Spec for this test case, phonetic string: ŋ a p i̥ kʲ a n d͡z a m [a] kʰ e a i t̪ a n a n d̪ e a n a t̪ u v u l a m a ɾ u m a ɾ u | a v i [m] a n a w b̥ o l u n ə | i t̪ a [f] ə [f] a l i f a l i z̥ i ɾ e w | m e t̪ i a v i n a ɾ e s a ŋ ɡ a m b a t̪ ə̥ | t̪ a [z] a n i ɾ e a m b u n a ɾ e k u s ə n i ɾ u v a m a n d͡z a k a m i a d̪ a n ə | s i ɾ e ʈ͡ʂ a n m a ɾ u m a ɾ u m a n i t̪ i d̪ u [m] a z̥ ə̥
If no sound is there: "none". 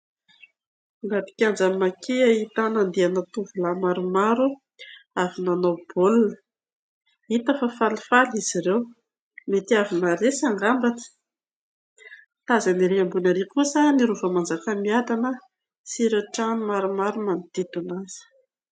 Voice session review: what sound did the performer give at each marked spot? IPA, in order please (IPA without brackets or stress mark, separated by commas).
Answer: a, n, f, f, z, n